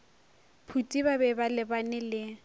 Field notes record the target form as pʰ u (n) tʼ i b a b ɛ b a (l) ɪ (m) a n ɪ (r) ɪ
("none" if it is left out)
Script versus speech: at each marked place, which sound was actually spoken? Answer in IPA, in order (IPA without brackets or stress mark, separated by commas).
none, l, b, l